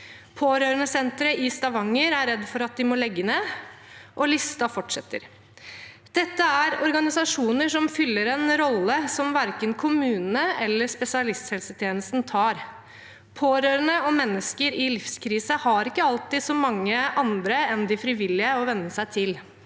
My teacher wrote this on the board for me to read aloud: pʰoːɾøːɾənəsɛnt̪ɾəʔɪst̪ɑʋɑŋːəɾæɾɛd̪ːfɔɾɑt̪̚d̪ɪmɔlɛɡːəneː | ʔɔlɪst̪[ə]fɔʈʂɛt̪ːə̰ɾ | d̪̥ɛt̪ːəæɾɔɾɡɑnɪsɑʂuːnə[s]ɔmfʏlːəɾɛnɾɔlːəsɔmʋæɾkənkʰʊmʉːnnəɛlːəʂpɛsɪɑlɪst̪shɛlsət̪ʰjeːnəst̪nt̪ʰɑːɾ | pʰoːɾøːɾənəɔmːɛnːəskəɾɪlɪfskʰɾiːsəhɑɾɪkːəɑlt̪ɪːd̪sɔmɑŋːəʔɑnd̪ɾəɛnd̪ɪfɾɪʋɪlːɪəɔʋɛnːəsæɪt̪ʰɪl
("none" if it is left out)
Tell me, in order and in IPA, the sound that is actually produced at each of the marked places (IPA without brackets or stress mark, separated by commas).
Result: ɑ, ʂ